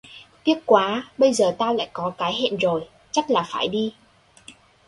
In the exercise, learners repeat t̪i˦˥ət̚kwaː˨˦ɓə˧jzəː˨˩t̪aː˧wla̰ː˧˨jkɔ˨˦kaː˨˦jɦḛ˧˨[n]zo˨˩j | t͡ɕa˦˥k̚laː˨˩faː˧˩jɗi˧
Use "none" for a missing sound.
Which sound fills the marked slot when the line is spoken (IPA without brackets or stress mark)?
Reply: n